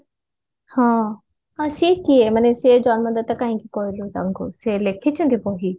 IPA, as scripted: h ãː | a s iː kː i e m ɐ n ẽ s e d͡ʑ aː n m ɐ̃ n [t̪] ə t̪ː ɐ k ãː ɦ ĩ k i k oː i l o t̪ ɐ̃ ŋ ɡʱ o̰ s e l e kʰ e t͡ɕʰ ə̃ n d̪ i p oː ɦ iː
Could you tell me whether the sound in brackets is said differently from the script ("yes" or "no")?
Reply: yes